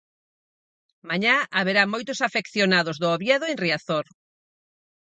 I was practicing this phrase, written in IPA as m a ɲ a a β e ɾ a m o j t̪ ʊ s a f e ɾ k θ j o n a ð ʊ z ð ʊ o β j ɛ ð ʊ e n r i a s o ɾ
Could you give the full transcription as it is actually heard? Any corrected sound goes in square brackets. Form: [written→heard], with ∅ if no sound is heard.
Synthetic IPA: m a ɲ a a β e ɾ a m o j t̪ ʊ s a f e [ɾ→∅] k θ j o n a ð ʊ z ð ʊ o β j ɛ ð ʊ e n r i a [s→θ] o ɾ